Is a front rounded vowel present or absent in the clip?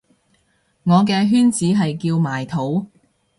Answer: present